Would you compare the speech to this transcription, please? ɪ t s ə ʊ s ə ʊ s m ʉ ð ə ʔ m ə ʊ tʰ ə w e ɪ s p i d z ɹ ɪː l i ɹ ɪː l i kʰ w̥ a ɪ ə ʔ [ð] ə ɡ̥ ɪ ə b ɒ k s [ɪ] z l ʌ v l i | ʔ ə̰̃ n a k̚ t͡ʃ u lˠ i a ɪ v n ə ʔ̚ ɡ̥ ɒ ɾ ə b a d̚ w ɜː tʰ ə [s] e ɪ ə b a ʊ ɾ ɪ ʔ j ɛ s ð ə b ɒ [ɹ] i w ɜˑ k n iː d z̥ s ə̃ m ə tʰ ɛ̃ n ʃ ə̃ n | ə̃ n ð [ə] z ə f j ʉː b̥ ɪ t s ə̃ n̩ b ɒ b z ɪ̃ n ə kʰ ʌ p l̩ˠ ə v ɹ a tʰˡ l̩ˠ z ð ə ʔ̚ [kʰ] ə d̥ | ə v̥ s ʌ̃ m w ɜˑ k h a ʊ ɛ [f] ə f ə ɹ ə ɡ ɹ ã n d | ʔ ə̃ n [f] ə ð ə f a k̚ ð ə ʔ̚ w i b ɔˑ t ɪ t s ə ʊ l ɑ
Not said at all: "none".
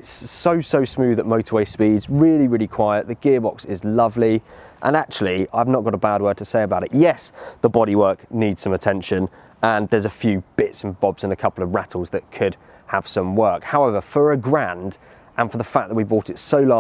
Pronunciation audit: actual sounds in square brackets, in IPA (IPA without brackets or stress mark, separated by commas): ð, ɪ, s, ɾ, ə, kʰ, v, f